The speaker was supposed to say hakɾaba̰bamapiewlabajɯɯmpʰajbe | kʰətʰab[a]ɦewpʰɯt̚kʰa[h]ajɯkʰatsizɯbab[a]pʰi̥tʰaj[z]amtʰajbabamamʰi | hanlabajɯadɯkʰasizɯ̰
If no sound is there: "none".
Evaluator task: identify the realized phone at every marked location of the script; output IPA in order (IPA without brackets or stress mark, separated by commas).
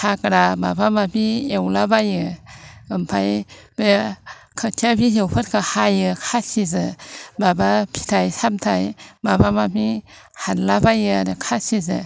i, h, a, s